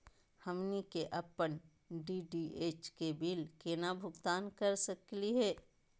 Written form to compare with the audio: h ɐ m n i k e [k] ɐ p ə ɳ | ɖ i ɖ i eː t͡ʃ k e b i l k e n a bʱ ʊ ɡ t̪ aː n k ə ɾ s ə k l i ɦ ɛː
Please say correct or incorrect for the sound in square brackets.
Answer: incorrect